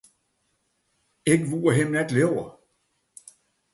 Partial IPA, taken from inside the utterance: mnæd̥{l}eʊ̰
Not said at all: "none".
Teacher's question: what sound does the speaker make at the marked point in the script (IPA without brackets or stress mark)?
l